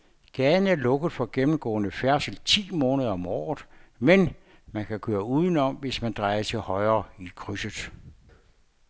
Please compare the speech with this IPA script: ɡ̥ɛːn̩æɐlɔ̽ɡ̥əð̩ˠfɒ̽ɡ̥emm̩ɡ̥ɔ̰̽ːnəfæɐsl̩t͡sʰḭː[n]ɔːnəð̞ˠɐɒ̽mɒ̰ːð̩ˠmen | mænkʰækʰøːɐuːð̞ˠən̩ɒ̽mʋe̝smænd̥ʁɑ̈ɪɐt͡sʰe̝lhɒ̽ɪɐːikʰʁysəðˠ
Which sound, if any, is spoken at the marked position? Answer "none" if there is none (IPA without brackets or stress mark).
m